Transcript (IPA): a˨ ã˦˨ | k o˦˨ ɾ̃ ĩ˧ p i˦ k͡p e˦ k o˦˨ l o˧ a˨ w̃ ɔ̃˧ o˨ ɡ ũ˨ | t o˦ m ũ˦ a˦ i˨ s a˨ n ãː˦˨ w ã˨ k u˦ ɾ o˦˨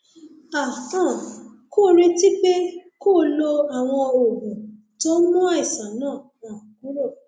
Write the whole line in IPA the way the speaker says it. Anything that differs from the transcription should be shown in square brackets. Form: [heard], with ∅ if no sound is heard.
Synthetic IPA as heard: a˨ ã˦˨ | k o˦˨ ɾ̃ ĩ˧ [t] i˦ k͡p e˦ k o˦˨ l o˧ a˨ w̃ ɔ̃˧ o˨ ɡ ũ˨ | t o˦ m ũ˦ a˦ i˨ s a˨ n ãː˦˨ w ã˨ k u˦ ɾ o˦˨